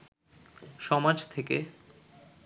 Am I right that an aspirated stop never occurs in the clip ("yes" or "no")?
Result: no